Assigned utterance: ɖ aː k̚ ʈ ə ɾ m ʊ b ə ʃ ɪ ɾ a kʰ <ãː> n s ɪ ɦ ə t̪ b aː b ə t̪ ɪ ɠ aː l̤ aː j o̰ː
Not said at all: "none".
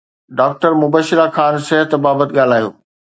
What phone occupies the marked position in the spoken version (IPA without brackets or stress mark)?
aː